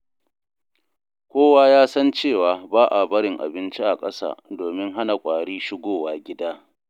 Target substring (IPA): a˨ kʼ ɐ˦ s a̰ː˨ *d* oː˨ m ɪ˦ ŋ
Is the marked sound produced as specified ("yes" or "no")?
yes